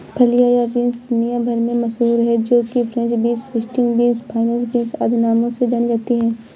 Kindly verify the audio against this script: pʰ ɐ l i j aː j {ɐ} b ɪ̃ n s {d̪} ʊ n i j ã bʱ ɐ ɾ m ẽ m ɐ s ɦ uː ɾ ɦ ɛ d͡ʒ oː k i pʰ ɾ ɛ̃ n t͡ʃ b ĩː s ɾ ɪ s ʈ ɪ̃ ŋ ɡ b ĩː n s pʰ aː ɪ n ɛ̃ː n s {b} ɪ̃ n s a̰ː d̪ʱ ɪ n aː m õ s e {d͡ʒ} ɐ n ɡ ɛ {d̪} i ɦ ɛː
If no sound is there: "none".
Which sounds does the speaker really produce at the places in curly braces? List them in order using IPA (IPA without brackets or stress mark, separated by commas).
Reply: a, d̪, b, d͡ʒ, t̪